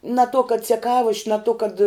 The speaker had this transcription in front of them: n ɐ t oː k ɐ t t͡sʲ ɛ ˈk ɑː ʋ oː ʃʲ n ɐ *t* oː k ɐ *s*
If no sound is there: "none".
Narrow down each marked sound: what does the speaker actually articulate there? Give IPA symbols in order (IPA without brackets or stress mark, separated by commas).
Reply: t, t